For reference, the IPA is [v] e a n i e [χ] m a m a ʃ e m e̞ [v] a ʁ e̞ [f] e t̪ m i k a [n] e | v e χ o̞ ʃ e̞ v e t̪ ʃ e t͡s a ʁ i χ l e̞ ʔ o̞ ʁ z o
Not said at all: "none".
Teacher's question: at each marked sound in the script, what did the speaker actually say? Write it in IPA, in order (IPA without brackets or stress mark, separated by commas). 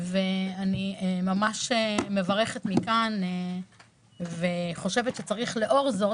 v, none, v, χ, n